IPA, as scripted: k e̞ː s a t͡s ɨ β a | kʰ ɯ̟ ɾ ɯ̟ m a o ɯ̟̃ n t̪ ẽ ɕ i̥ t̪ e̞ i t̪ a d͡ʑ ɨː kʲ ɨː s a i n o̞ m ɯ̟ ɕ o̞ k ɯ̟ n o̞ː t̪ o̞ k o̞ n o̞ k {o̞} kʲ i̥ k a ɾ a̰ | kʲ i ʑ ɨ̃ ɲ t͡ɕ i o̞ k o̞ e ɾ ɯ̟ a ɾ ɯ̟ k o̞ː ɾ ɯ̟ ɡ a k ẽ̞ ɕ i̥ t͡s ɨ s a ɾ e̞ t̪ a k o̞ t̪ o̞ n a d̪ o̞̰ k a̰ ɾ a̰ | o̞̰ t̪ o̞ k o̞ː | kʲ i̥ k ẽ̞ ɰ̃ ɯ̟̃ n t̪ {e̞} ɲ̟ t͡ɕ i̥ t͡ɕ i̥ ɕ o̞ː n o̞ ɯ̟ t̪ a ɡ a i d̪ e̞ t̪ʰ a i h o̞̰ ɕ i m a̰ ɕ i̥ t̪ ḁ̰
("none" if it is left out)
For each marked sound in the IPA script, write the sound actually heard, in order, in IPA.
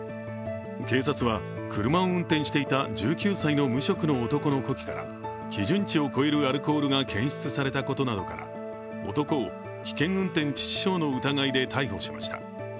o̞, ẽ̞

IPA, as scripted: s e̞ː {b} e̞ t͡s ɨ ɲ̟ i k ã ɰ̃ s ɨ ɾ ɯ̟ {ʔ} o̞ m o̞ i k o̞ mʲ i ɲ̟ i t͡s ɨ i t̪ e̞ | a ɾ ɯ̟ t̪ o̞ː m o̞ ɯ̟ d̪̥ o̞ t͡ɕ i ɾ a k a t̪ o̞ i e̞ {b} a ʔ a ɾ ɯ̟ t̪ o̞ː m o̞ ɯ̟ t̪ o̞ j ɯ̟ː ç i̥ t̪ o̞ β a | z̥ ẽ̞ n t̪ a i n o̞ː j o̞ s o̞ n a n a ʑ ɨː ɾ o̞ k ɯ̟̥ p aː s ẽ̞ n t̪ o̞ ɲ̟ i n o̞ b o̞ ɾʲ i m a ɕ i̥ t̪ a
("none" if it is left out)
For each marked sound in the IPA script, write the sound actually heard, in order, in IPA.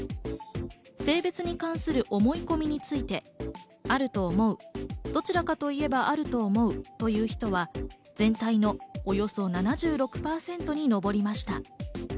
b, ʔ, b

